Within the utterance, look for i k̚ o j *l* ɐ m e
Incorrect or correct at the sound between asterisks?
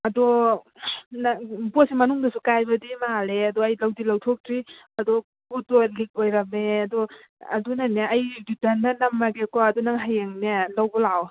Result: incorrect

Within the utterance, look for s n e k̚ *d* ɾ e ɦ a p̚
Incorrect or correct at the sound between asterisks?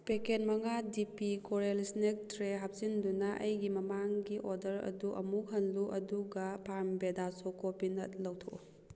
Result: incorrect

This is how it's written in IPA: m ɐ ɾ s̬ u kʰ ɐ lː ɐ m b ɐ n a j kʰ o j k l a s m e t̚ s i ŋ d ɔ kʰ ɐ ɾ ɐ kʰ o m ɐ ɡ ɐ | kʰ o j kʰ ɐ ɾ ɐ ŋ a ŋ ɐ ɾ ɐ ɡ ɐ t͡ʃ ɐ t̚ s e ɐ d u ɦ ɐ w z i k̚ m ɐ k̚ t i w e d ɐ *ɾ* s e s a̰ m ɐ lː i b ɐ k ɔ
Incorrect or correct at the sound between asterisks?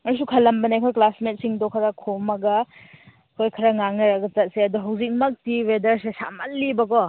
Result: correct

